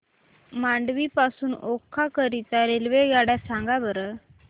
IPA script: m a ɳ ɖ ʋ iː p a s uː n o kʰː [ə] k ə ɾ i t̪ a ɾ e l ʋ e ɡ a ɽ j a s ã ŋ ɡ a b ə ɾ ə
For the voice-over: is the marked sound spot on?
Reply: no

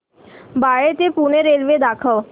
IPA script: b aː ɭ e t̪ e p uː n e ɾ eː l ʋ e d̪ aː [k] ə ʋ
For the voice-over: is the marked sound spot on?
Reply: no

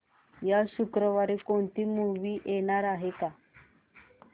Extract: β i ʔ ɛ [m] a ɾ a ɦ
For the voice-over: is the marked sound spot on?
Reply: no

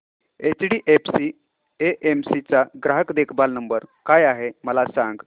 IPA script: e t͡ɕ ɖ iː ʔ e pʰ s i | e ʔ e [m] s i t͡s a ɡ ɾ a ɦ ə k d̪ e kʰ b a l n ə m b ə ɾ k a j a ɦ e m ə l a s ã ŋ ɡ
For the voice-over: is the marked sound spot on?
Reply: yes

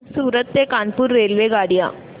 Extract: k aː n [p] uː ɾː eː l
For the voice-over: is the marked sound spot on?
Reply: yes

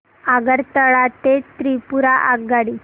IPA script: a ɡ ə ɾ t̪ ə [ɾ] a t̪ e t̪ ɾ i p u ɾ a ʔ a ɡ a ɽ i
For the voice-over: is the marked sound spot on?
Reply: no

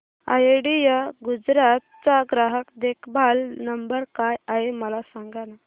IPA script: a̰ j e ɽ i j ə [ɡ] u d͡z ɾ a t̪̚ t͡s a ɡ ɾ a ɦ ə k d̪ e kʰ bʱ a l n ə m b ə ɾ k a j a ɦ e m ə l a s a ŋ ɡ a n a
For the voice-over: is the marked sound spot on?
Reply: yes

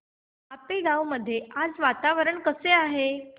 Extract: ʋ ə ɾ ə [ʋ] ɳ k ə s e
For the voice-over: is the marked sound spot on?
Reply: no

